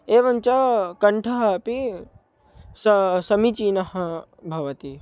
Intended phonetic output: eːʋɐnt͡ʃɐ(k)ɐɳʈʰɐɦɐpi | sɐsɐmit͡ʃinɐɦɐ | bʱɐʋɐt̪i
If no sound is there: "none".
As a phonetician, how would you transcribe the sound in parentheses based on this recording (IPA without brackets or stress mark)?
k